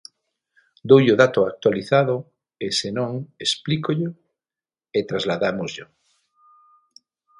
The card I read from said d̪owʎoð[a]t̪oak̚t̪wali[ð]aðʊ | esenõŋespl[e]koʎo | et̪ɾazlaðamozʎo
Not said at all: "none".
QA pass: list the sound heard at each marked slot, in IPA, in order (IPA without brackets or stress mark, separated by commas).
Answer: a, θ, i